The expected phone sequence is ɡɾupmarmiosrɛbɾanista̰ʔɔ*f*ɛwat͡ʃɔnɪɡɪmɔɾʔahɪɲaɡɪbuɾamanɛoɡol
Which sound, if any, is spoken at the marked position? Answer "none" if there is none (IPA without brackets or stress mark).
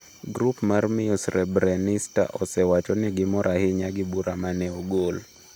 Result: s